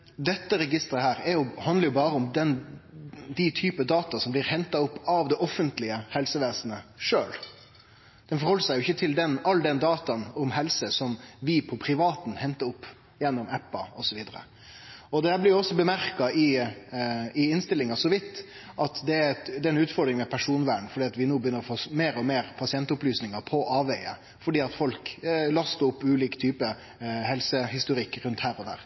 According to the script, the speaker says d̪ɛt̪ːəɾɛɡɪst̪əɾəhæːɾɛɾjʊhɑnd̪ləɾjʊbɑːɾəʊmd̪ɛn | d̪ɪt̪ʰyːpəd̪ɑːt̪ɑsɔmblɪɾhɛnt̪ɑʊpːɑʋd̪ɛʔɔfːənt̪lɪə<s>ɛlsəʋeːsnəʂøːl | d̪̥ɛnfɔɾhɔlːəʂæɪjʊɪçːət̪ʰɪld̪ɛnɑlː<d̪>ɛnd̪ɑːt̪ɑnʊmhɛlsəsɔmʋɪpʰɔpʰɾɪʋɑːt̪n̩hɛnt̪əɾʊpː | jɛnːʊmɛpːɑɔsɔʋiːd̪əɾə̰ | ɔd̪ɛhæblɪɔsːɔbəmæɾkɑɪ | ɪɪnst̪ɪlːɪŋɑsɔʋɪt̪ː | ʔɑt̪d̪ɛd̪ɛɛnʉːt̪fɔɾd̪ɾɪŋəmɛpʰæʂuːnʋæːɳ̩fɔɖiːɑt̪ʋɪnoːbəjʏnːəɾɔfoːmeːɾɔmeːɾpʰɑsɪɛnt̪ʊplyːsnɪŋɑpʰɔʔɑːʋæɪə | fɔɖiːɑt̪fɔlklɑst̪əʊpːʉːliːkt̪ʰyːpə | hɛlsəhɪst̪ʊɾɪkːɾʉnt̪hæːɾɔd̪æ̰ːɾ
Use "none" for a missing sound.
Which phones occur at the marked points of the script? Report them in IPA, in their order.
h, d̪

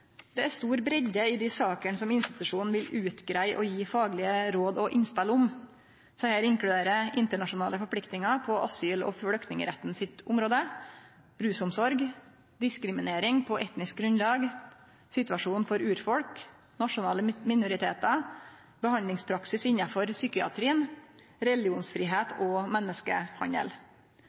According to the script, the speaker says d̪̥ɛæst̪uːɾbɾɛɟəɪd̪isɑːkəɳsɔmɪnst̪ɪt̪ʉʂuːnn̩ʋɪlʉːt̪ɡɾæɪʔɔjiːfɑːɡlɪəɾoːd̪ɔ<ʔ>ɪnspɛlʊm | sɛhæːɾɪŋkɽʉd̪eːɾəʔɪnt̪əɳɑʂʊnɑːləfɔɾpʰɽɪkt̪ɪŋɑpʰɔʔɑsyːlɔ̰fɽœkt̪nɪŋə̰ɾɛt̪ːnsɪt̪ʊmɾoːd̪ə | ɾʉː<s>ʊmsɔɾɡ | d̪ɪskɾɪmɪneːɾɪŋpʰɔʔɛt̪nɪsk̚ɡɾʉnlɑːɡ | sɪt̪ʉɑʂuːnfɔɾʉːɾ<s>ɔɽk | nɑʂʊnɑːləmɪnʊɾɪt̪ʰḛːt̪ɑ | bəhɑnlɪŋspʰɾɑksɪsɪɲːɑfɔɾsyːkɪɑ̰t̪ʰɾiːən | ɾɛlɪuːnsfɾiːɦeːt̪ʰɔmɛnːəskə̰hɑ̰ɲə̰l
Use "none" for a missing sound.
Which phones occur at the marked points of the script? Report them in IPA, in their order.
ʔ, s, f

